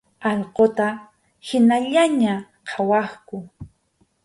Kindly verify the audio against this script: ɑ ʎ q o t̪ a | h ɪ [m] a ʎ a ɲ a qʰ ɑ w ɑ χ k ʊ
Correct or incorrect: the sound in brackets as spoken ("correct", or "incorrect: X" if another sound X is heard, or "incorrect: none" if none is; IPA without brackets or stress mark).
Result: incorrect: n